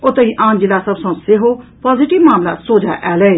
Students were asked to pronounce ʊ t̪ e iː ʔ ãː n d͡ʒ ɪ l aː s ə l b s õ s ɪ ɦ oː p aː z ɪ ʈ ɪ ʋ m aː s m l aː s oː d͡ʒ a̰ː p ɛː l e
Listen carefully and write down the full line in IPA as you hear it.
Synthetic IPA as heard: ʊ t̪ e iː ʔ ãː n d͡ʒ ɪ l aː s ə b s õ s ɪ ɦ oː p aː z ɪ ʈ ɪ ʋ m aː m l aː s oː d͡ʒ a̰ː ʔ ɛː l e